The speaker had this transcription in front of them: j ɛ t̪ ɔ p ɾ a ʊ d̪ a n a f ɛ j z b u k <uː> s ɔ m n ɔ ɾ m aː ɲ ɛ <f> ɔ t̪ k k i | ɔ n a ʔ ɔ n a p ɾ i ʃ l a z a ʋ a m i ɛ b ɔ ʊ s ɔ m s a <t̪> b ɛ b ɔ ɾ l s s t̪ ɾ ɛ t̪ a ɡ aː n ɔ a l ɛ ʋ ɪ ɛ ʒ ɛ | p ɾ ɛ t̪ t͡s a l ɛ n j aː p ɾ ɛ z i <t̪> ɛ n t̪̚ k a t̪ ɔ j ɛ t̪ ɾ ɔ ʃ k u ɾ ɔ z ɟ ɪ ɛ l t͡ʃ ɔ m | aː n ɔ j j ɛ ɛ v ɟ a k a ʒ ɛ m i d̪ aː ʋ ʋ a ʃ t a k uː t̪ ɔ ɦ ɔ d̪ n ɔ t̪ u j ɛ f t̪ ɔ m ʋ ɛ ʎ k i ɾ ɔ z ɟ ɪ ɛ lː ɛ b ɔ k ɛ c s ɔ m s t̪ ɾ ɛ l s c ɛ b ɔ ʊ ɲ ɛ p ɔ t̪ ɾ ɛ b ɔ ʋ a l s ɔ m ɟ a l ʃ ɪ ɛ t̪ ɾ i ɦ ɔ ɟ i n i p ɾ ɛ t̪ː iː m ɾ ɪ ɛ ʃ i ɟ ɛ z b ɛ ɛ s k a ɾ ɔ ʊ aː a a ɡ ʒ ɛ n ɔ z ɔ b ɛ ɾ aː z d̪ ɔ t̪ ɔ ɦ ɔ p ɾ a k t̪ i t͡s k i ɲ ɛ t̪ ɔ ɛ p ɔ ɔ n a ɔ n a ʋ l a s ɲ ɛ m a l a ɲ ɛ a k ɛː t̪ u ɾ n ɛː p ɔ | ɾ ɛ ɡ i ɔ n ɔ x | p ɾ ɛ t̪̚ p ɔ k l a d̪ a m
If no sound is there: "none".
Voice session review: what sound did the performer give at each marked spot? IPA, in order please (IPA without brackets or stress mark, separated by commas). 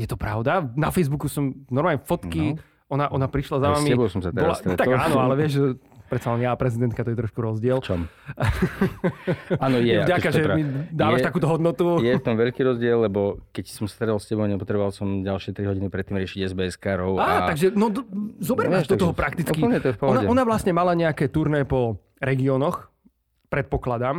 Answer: u, f, t̪, d̪